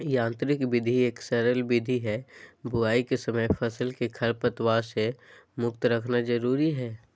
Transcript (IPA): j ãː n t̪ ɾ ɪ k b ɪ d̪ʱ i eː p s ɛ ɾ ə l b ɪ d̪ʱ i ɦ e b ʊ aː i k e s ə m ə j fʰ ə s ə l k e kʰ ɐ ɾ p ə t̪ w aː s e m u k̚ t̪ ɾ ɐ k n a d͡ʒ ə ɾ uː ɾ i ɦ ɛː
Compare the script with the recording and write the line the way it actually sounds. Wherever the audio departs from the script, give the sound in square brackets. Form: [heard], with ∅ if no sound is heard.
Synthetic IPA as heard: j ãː n t̪ ɾ ɪ k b ɪ d̪ʱ i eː [k] s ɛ ɾ ə l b ɪ d̪ʱ i ɦ [ɛ] b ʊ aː i k e s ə m ə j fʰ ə s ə l k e kʰ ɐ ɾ p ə t̪ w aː s e m [ʊ] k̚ t̪ ɾ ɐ [kʰ] n a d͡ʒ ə ɾ uː ɾ i ɦ ɛː